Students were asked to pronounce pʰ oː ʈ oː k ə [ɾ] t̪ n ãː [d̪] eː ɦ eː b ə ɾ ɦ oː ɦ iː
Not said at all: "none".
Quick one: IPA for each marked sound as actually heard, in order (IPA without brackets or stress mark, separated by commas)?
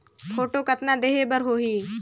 none, d̪